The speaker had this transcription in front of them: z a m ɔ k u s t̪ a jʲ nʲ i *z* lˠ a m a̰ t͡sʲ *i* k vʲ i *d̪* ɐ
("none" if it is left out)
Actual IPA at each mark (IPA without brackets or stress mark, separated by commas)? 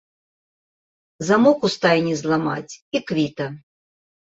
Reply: z, i, t̪